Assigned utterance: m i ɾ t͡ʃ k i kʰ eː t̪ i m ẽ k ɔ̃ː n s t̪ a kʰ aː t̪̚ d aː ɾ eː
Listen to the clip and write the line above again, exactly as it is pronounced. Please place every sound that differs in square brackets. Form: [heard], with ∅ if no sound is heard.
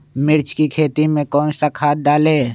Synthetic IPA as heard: m [ɪ] ɾ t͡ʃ k i kʰ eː t̪ i m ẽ k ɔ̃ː n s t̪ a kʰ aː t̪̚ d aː [l] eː